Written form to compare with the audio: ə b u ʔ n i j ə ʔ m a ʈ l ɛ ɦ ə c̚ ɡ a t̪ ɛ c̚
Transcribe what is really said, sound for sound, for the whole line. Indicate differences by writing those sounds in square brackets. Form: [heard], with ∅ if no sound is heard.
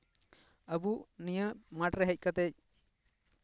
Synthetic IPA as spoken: ə b u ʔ n i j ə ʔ m a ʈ [ɾ] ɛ ɦ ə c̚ [k] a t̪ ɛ c̚